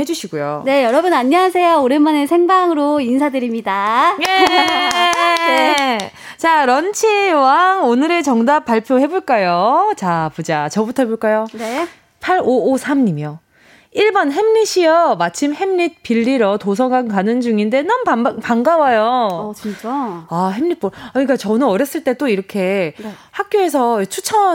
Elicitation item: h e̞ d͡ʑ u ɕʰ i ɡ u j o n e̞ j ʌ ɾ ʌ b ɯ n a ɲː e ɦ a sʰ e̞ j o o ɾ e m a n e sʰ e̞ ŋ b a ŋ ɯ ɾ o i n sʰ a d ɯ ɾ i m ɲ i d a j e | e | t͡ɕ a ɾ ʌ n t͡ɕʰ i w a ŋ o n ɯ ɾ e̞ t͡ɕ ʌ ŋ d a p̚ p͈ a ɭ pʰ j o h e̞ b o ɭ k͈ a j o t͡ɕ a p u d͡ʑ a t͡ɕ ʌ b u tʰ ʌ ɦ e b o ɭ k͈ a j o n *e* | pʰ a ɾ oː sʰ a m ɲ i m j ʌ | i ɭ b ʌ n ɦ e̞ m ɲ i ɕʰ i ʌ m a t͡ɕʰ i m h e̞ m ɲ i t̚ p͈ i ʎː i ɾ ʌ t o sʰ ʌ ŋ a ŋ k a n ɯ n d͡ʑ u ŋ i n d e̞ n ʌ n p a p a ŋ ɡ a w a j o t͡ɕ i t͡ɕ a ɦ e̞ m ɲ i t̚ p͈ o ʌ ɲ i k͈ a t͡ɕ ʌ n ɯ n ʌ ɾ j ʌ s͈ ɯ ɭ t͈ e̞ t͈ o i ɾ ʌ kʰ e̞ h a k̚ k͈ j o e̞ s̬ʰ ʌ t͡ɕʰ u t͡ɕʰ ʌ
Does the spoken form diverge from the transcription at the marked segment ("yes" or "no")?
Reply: no